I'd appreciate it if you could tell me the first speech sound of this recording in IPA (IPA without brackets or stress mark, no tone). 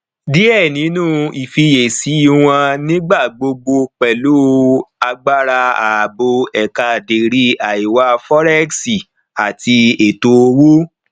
d